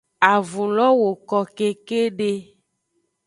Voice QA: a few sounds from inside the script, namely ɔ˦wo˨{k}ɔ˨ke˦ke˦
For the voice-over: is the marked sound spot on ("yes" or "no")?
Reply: yes